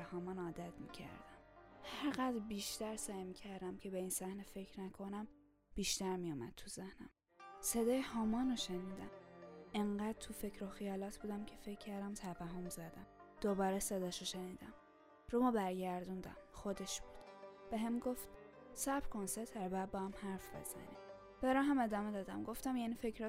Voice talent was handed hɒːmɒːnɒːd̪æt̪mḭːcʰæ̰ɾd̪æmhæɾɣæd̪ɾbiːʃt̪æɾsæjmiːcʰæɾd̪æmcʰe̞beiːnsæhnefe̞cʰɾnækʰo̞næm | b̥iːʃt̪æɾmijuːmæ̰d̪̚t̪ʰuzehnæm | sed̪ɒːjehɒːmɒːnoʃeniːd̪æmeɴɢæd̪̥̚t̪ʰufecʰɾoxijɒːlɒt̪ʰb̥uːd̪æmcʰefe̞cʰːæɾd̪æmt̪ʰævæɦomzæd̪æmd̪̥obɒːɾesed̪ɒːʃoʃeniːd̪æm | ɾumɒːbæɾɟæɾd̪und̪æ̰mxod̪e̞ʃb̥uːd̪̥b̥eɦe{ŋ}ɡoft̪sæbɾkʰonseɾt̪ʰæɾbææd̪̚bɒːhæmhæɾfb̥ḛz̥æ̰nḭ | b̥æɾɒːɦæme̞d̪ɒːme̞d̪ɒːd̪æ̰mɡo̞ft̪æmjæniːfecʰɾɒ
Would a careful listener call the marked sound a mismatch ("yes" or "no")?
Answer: yes